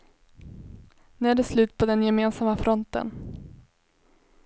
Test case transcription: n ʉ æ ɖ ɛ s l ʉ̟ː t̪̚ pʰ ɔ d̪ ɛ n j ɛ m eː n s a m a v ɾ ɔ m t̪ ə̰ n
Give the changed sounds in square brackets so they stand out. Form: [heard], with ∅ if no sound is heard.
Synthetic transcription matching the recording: n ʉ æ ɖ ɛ s l ʉ̟ː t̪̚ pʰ ɔ d̪ ɛ n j ɛ m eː n s a m a [f] ɾ ɔ [n] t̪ ə̰ n